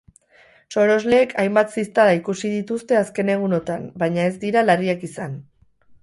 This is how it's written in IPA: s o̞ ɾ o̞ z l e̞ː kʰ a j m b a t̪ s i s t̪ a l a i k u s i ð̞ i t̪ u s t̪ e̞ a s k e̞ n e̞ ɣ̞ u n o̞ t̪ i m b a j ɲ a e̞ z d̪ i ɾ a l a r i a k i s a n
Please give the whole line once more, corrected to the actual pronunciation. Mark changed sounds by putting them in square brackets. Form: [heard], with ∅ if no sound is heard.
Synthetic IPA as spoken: s o̞ ɾ o̞ z l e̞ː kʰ a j m b a t̪ s i s t̪ a l a i k u s i ð̞ i t̪ u s t̪ e̞ a s k e̞ n e̞ ɣ̞ u n o̞ t̪ [a] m b a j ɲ a e̞ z d̪ i ɾ a l a r i a k i s a n